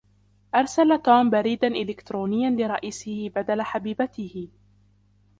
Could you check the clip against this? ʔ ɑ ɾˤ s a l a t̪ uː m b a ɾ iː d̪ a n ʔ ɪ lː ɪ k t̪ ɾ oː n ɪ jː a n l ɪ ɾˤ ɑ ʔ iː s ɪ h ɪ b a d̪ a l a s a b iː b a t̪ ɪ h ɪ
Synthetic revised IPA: ʔ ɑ ɾˤ s a l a t̪ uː m b a ɾ iː d̪ a n ʔ ɪ l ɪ k t̪ ɾ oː n ɪ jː a n l ɪ ɾˤ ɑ ʔ iː s ɪ h ɪ b a d̪ a l a ħ a b iː b a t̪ ɪ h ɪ